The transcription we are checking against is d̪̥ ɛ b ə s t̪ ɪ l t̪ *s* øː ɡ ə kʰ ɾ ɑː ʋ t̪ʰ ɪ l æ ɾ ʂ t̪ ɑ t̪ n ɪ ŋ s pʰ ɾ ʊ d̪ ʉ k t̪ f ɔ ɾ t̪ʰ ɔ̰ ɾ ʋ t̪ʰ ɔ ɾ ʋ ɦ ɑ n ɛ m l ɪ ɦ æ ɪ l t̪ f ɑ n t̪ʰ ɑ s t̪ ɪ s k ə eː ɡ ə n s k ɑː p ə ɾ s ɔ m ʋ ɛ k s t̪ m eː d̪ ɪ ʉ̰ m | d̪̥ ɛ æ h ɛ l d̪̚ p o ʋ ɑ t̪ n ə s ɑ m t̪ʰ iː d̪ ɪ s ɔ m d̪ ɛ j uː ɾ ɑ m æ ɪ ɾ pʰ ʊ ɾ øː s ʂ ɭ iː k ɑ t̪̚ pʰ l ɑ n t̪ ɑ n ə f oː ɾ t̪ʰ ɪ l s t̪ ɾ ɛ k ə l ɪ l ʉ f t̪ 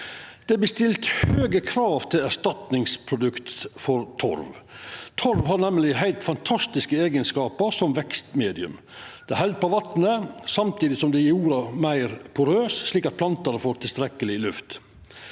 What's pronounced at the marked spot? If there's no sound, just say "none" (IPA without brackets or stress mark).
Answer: h